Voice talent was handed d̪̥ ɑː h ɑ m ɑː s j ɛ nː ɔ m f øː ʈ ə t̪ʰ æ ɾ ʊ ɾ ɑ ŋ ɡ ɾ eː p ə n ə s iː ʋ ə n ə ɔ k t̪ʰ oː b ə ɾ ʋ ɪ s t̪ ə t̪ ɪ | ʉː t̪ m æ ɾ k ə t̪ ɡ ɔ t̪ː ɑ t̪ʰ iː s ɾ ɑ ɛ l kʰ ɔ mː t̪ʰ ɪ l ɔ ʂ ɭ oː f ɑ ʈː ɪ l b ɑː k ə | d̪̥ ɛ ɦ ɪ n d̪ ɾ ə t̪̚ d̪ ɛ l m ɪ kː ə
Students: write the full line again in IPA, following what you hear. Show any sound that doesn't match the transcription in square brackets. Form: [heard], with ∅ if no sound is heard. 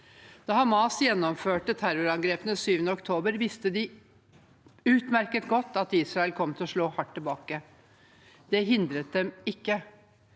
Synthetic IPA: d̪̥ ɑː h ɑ m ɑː s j ɛ nː ɔ m f øː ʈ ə t̪ʰ æ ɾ ʊ ɾ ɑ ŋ ɡ ɾ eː p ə n ə s [yː] ʋ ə n ə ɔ k t̪ʰ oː b ə ɾ ʋ ɪ s t̪ ə [d̪] ɪ | ʉː t̪ m æ ɾ k ə t̪ ɡ ɔ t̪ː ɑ [t̪] iː s ɾ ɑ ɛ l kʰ ɔ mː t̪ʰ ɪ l ɔ ʂ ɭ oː [h] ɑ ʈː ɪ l b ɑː k ə | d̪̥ ɛ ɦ ɪ n d̪ ɾ ə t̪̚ d̪ ɛ [∅] m ɪ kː ə